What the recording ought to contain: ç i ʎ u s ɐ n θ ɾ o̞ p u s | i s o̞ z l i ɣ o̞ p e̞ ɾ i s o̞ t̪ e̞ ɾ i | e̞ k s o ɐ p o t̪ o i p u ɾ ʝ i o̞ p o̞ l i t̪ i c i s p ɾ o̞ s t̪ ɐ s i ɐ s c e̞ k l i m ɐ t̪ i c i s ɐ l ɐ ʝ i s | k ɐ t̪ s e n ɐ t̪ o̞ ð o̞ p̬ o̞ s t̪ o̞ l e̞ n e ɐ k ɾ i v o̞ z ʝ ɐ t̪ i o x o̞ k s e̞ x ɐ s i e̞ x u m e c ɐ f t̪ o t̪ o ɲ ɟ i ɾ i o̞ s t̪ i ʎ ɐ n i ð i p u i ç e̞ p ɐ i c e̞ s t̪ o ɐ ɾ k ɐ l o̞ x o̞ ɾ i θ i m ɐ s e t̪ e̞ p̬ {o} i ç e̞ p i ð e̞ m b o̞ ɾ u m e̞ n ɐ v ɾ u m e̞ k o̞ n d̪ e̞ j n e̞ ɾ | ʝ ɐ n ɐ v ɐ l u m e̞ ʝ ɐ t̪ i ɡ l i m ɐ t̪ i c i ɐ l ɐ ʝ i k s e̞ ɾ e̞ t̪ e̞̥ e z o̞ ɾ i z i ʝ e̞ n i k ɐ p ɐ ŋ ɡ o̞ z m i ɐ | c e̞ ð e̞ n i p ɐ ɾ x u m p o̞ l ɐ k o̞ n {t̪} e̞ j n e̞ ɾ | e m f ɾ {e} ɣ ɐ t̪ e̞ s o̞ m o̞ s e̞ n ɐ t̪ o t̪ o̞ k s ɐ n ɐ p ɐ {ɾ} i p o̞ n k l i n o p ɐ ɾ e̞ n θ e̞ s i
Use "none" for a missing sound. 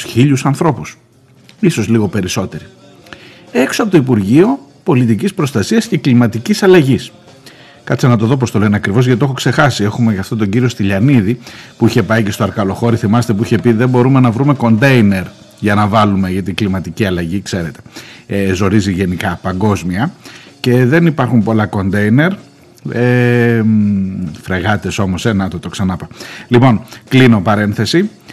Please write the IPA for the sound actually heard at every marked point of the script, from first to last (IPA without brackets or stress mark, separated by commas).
u, d̪, e, l